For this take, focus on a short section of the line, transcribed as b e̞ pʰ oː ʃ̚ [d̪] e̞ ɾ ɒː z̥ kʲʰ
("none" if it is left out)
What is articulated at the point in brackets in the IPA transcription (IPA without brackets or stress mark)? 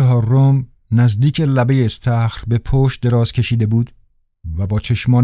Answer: d̪